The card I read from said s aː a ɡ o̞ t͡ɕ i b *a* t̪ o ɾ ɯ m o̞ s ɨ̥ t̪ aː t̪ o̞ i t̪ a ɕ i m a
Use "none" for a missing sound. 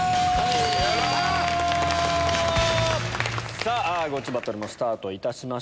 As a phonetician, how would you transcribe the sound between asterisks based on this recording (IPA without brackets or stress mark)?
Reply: a